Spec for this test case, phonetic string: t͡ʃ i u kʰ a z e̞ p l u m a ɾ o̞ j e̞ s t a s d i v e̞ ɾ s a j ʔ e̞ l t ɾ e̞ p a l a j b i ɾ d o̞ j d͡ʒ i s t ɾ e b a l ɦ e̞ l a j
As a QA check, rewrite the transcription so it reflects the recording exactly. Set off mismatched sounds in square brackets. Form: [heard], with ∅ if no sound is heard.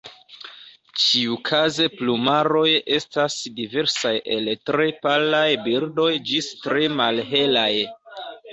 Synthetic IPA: t͡ʃ i u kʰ a z e̞ p l u m a ɾ o̞ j e̞ s t a s d i v e̞ ɾ s a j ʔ e̞ l t ɾ e̞ p a l a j b i ɾ d o̞ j d͡ʒ i s t ɾ e [m] a l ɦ e̞ l a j

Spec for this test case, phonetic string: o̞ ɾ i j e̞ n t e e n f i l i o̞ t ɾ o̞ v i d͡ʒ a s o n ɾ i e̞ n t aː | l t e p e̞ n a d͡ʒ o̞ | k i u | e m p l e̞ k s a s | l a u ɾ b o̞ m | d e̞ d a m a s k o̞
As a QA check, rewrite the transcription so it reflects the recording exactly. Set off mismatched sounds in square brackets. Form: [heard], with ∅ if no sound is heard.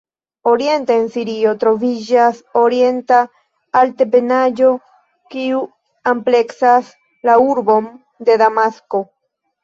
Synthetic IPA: o̞ ɾ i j e̞ n t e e n [s] i [ɾ] i o̞ t ɾ o̞ v i d͡ʒ a s o [∅] ɾ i e̞ n t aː | l t e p e̞ n a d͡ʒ o̞ | k i u | [a] m p l e̞ k s a s | l a u ɾ b o̞ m | d e̞ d a m a s k o̞

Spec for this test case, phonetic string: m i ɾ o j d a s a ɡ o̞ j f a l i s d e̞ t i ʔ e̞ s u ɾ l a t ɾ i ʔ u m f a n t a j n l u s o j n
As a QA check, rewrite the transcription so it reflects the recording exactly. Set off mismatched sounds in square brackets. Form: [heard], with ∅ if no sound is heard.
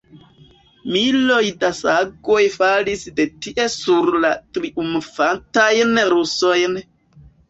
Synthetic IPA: m i [l] o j d a s a ɡ o̞ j f a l i s d e̞ t i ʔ e̞ s u ɾ l a t ɾ i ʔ u m f a n t a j n [ɾ] u s o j n

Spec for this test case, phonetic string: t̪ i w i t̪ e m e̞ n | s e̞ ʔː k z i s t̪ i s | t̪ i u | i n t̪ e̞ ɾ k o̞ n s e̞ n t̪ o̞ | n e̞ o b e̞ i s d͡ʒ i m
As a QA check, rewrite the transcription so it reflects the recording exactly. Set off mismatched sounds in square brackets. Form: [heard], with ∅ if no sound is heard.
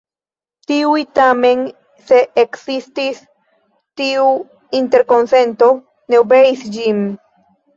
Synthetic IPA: t̪ i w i t̪ [a] m e̞ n | s e̞ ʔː k [s] i s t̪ i s | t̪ i u | i n t̪ e̞ ɾ k o̞ n s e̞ n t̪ o̞ | n e̞ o b e̞ i s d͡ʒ i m

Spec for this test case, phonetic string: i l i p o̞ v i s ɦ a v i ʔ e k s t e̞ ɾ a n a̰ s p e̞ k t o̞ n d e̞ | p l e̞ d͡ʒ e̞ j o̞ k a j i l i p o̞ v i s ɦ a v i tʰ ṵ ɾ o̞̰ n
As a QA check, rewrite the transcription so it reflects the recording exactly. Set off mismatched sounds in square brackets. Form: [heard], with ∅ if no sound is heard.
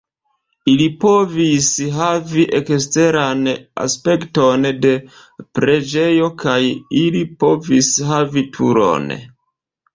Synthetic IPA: i l i p o̞ v i s ɦ a v i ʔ e k s t e̞ ɾ a n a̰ s p e̞ k t o̞ n d e̞ | p [ɾ] e̞ d͡ʒ e̞ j o̞ k a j i l i p o̞ v i s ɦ a v i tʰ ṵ ɾ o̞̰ n

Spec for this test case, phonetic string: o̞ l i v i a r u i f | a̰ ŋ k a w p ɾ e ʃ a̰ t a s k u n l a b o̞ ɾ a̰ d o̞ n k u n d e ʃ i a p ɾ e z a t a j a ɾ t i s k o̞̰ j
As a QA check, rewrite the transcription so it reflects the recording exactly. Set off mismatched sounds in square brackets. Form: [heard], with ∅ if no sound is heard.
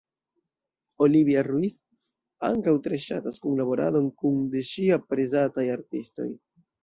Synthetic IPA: o̞ l i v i a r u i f | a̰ ŋ k a w [t] ɾ e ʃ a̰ t a s k u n l a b o̞ ɾ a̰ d o̞ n k u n d e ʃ i a p ɾ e z a t a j a ɾ t i s [t] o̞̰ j

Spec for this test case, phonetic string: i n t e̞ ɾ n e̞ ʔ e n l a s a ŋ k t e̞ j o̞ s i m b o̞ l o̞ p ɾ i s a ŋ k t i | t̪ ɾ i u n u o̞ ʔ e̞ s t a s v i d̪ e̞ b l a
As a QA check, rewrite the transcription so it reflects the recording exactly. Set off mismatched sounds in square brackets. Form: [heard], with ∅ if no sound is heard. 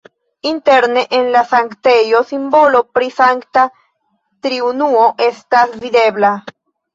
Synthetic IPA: i n t e̞ ɾ n e̞ ʔ e n l a s a ŋ k t e̞ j o̞ s i m b o̞ l o̞ p ɾ i s a ŋ k t [a] | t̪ ɾ i u n u o̞ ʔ e̞ s t a s v i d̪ e̞ b l a

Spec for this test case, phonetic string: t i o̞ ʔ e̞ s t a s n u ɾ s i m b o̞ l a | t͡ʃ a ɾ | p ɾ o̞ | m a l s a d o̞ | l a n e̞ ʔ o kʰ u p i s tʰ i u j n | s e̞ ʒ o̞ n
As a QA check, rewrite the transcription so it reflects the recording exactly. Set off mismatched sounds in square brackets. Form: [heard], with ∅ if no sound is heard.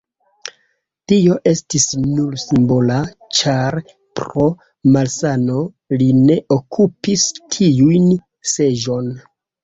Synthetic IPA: t i o̞ ʔ e̞ s t [i] s n u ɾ s i m b o̞ l a | t͡ʃ a ɾ | p ɾ o̞ | m a l s a [n] o̞ | l [i] n e̞ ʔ o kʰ u p i s tʰ i u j n | s e̞ ʒ o̞ n

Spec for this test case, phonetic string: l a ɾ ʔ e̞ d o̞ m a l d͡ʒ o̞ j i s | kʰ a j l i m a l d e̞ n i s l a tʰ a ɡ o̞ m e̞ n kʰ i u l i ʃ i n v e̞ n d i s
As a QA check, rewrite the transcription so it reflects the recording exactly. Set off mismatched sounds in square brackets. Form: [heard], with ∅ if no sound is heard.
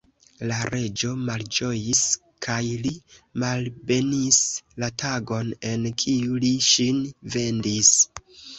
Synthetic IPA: l a ɾ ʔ e̞ [d͡ʒ] o̞ m a l d͡ʒ o̞ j i s | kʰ a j l i m a l [b] e̞ n i s l a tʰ a ɡ o̞ [n] e̞ n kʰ i u l i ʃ i n v e̞ n d i s

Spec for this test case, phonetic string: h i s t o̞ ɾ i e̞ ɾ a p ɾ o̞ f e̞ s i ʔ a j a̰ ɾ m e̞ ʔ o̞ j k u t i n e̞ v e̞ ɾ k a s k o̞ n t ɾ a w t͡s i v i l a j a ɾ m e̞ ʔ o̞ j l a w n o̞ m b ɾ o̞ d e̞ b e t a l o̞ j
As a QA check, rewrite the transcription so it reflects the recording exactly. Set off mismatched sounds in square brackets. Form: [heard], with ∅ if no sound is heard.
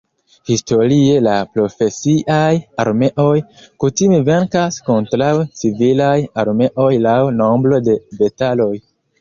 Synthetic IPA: h i s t o̞ ɾ i e̞ [l] a p ɾ o̞ f e̞ s i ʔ a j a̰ ɾ m e̞ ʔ o̞ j k u t i [m] e̞ v e̞ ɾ k a s k o̞ n t ɾ a w t͡s i v i l a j a ɾ m e̞ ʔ o̞ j l a w n o̞ m b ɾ o̞ d e̞ b e t a l o̞ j

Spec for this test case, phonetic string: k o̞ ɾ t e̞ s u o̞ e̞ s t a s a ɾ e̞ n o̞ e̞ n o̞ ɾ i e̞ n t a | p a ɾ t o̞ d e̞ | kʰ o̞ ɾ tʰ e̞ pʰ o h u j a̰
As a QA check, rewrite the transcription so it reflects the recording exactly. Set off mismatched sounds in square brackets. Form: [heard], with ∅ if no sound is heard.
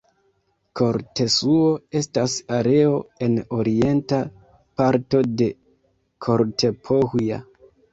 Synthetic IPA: k o̞ ɾ t e̞ s u o̞ e̞ s t a s a ɾ e̞ [∅] o̞ e̞ n o̞ ɾ i e̞ n t a | p a ɾ t o̞ d e̞ | kʰ o̞ ɾ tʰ e̞ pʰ o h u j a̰

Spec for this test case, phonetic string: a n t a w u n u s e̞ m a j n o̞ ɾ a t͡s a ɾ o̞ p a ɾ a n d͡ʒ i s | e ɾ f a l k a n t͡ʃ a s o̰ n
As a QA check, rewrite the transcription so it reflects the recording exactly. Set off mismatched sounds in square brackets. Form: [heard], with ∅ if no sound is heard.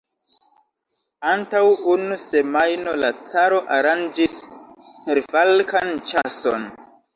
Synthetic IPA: a n t a w u n u s e̞ m a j n o̞ [l] a t͡s a ɾ o̞ [ʔ] a ɾ a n d͡ʒ i s | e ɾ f a l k a n t͡ʃ a s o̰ n

